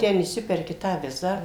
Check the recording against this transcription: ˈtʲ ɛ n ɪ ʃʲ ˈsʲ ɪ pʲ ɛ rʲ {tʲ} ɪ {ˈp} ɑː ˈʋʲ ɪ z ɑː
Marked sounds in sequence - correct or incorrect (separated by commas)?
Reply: incorrect, incorrect